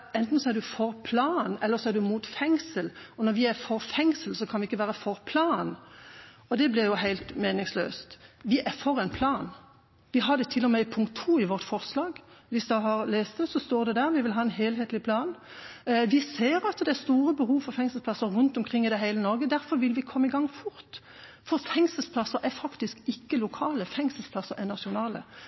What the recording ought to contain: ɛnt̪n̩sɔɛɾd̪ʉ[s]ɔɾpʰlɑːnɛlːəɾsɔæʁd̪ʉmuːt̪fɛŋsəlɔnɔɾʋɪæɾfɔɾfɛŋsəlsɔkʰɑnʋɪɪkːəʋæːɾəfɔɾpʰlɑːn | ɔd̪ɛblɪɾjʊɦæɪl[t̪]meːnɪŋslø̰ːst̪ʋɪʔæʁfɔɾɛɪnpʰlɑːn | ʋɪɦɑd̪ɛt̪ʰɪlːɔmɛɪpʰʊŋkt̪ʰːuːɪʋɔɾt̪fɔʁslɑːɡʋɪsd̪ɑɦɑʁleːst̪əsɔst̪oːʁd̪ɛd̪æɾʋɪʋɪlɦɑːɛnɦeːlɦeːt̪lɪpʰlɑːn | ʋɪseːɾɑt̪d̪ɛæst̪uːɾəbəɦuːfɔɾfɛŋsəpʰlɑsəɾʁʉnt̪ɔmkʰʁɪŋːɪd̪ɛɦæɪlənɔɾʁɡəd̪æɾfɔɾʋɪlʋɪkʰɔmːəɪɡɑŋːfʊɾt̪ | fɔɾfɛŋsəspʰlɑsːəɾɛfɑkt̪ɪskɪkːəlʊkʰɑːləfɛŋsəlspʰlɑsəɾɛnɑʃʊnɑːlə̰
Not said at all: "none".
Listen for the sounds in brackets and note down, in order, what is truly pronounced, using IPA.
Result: f, t̪

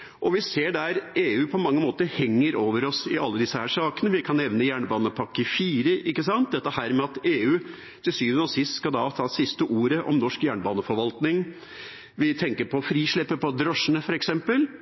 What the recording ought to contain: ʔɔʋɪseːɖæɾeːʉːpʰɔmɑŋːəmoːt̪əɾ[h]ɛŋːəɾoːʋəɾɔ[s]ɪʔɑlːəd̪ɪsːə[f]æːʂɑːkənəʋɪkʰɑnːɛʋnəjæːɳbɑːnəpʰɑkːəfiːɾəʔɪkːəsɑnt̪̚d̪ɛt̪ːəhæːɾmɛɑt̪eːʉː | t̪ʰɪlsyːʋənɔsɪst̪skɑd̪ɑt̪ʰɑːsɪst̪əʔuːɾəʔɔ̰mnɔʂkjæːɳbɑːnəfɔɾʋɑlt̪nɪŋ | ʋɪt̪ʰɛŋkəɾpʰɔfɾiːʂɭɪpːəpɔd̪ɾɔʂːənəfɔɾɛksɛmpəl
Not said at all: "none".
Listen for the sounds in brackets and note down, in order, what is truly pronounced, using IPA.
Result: h, s, h

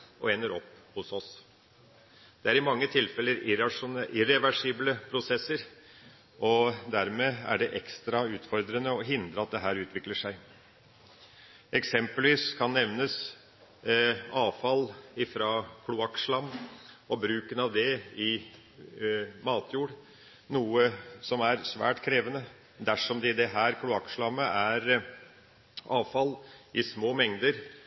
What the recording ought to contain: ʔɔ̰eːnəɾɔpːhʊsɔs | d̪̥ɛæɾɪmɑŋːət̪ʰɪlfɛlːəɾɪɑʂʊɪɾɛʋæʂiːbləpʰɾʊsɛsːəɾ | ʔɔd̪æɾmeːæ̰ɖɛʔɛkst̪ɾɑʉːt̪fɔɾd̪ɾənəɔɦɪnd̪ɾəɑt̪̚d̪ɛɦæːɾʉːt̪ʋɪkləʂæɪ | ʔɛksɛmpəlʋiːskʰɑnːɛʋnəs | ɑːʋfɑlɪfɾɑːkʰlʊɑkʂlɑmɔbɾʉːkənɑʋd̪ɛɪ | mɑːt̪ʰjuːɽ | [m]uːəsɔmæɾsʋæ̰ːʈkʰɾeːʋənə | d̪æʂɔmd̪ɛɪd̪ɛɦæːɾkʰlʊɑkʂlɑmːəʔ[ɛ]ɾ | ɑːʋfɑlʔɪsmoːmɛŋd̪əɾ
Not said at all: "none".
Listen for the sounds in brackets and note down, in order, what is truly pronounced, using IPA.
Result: n, æ

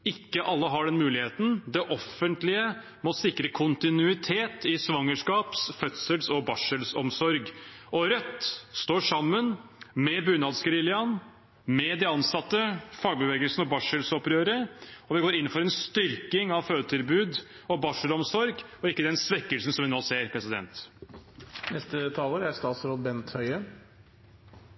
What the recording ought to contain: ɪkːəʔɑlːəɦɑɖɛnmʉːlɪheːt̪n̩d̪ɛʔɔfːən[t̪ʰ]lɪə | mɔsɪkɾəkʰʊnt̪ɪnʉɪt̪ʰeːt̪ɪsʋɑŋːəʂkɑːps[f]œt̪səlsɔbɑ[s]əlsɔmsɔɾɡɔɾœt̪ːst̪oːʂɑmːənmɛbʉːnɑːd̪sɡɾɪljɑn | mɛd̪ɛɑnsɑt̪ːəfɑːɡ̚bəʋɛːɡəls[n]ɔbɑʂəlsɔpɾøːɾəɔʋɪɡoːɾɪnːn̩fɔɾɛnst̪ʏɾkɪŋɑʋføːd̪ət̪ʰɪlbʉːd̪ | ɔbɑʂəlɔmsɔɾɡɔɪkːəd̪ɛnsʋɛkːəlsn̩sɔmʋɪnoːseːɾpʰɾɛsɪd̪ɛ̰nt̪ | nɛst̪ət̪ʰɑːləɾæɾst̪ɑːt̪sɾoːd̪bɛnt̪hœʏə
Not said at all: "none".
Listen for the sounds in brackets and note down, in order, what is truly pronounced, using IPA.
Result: t̪, f, ʂ, n

